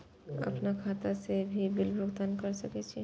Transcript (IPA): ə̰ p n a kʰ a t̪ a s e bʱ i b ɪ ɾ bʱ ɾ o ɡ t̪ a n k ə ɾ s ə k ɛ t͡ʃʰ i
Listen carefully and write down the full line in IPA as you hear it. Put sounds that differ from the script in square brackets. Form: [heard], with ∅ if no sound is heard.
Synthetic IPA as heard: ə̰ p n a kʰ a t̪ a s e bʱ i b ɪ [l] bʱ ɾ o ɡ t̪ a n k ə ɾ s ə k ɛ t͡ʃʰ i